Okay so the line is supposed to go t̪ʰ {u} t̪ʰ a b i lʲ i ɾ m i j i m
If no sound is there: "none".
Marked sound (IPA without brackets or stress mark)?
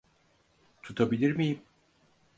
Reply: u